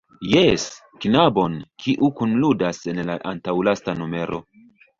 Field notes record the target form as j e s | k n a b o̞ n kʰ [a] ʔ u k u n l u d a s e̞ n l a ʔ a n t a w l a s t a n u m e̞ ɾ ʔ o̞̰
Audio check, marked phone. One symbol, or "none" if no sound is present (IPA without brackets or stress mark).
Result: i